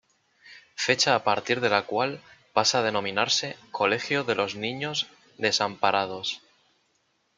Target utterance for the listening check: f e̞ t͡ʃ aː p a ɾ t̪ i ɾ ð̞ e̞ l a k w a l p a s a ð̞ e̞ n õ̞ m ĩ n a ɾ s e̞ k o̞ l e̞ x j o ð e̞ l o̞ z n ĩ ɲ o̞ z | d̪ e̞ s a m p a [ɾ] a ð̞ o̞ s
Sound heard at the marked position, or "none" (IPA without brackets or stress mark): ɾ